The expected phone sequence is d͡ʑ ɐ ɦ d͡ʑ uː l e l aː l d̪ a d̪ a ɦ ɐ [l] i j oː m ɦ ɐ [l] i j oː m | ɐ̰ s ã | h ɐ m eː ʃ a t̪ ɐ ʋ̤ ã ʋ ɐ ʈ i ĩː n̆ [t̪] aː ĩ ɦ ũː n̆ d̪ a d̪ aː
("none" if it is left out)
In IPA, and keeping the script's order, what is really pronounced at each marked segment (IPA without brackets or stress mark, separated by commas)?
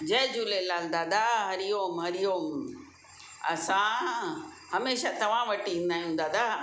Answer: ɾ, ɾ, d̪